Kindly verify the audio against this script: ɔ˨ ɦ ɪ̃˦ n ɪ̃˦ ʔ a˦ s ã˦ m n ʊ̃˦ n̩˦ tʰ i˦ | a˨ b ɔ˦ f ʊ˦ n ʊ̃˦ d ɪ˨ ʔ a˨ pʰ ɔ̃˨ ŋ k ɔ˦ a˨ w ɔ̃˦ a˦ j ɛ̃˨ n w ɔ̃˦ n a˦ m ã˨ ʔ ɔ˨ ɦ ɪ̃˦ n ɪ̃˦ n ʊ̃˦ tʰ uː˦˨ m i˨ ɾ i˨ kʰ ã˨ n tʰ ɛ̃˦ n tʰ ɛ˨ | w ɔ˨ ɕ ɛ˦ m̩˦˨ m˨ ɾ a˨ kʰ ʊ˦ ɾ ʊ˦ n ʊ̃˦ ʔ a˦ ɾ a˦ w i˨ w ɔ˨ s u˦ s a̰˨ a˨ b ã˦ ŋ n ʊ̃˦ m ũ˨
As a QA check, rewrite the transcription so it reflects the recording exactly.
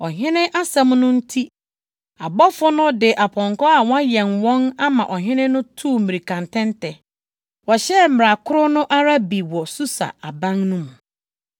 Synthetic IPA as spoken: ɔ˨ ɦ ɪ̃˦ n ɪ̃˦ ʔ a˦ s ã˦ m n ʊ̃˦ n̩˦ tʰ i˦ | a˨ b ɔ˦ f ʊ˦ n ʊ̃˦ d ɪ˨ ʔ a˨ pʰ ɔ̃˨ ŋ k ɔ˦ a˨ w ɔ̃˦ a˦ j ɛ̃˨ n w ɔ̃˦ n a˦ m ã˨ ʔ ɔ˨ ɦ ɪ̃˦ n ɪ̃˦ n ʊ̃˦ tʰ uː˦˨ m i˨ ɾ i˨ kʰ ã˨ n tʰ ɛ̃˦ n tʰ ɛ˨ | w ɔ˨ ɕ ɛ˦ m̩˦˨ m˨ ɾ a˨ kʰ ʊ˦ ɾ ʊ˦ n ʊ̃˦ ʔ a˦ ɾ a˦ b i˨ w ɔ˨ s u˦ s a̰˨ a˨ b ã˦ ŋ n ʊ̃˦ m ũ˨